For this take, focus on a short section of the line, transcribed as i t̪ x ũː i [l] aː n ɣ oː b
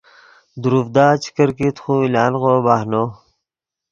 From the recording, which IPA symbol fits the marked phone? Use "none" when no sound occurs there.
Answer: l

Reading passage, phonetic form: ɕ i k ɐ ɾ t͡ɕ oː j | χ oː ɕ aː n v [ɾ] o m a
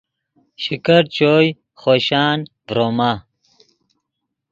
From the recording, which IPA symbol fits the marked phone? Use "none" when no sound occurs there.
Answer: ɾ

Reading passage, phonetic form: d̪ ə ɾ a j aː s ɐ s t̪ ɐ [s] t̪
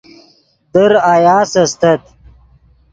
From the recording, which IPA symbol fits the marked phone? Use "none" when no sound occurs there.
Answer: none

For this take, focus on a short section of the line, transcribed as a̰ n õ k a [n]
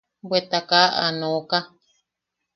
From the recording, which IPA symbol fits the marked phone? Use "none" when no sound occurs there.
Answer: none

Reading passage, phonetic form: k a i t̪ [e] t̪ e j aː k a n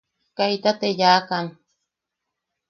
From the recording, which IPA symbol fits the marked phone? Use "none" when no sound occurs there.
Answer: a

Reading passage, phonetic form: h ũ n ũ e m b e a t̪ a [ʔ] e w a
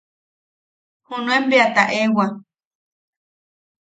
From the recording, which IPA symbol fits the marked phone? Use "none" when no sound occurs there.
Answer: ʔ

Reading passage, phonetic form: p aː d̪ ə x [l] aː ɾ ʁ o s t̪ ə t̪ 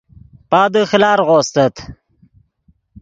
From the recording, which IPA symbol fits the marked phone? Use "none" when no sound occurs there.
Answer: l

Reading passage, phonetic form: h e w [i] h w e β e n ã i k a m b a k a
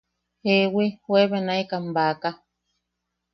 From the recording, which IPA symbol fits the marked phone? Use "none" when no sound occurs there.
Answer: i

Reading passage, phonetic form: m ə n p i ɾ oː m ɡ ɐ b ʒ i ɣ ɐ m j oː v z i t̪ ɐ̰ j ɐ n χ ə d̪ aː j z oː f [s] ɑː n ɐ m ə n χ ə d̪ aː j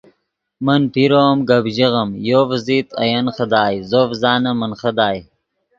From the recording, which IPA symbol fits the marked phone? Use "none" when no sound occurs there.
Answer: z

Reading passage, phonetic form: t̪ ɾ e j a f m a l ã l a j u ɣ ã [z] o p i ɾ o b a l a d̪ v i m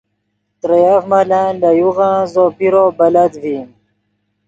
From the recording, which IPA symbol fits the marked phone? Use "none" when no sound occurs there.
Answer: z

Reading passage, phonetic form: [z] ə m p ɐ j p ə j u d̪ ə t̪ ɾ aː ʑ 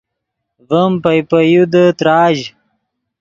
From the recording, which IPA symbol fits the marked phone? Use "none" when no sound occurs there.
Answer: v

